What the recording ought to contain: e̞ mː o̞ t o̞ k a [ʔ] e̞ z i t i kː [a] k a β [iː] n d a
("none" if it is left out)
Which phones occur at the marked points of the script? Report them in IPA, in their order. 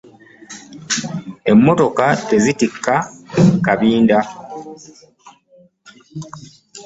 t, a, iː

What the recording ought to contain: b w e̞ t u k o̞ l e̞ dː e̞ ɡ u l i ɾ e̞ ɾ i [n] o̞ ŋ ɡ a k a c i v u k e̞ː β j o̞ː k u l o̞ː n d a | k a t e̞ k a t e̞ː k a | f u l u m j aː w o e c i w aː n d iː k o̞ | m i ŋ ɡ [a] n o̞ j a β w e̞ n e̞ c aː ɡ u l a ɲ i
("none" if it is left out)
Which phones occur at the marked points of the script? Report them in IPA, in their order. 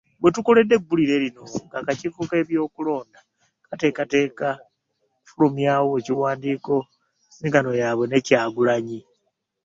n, a

